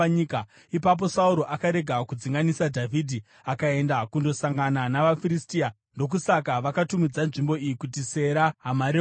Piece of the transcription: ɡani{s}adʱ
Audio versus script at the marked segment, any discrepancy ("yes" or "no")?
no